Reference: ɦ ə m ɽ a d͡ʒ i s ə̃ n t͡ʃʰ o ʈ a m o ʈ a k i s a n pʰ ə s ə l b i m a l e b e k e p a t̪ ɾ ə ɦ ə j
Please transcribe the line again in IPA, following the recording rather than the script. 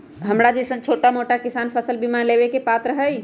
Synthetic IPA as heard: ɦ ə m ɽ a d͡ʒ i s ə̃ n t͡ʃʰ o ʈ a m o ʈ a k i s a n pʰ ə s ə l b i m a l e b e k e p a t̪ ɾ ə ɦ ə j